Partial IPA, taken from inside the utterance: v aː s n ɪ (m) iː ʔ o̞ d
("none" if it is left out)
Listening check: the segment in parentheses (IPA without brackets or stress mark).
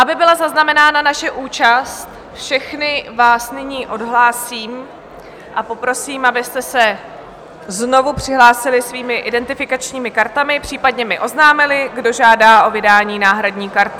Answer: ɲ